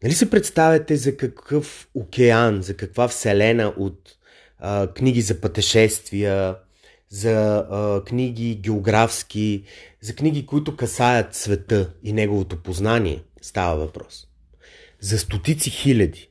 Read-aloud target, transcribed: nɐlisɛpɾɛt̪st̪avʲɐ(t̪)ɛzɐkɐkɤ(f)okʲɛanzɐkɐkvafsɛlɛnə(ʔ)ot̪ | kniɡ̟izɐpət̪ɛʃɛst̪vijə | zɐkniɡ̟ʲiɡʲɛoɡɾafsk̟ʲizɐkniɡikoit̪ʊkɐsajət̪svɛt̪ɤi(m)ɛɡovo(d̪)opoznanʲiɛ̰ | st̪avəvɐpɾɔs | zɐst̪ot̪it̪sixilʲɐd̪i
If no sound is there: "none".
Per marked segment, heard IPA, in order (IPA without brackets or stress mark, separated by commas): t̪, f, ʔ, n, t̪